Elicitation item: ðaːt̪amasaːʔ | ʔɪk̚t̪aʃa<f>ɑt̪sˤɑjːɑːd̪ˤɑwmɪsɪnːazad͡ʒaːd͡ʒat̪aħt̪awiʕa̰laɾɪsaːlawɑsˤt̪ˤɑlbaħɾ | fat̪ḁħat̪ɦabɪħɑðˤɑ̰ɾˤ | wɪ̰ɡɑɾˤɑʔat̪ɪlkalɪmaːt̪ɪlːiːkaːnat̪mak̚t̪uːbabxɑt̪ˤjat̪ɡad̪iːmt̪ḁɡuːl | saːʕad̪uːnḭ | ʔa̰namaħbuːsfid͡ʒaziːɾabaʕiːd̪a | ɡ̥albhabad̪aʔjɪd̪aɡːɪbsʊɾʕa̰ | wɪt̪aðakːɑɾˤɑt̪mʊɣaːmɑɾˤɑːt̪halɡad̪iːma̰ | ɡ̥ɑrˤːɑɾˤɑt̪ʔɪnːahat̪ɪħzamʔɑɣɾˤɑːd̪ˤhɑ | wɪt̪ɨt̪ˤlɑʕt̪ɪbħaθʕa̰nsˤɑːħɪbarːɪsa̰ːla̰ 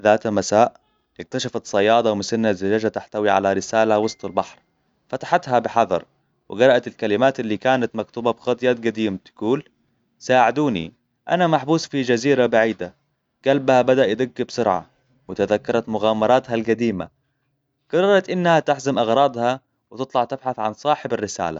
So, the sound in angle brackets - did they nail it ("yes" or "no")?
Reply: yes